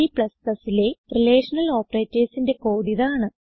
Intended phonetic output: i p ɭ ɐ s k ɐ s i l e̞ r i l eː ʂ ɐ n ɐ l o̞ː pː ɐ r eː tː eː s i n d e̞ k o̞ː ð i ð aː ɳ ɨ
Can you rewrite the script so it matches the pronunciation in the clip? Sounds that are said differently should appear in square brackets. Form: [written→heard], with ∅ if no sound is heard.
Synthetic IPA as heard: i p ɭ ɐ s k ɐ s i l e̞ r i l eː ʂ ɐ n ɐ l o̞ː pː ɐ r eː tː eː s i n d e̞ k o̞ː ð i ð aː ɳ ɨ